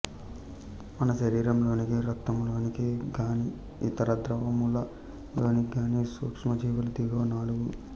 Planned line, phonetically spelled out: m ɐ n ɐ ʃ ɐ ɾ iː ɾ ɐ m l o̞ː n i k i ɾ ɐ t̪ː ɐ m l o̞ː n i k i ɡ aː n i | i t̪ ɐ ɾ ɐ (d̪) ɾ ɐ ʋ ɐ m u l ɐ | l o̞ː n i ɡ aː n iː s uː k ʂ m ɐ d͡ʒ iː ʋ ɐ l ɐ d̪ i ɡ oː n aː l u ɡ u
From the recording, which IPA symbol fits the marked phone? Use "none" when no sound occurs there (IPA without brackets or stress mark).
d̪